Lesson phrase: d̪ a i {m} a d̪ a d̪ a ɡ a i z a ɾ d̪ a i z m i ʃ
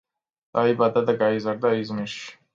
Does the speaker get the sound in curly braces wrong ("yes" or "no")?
yes